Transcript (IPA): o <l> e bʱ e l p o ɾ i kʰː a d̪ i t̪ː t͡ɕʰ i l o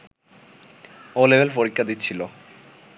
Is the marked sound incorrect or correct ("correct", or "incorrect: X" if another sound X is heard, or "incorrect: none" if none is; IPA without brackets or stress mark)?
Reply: correct